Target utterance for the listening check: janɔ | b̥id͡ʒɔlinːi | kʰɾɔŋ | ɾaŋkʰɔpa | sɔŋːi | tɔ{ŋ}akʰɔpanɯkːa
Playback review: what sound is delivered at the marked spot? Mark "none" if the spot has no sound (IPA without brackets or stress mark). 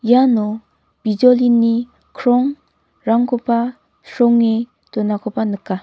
n